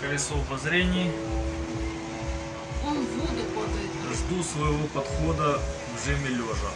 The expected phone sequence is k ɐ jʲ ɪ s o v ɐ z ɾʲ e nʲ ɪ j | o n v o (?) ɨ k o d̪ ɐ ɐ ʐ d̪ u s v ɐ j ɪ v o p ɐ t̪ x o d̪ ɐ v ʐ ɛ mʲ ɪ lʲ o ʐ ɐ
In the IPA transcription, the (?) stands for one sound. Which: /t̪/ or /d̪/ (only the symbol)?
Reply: d̪